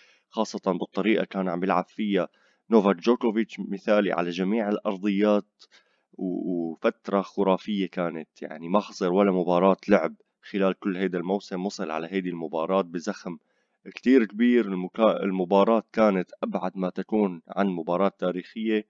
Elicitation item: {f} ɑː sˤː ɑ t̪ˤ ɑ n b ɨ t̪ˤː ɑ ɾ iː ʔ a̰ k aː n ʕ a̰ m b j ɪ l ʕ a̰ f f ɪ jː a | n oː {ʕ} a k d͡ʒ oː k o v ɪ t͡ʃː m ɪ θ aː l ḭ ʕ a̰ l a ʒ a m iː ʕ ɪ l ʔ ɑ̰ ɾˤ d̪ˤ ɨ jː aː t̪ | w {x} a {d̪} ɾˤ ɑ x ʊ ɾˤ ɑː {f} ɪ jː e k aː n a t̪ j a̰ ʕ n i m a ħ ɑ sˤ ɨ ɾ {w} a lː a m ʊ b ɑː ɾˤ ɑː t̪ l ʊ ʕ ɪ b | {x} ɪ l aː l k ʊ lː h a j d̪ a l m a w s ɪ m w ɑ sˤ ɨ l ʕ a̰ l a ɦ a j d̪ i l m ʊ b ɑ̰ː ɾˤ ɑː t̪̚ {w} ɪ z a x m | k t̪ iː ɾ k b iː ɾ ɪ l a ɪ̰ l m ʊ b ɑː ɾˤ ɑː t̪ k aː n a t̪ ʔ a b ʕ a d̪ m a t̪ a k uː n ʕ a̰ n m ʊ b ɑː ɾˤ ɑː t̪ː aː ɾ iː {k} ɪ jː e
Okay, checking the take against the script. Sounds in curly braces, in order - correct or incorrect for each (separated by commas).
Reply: incorrect, incorrect, incorrect, incorrect, correct, correct, correct, incorrect, incorrect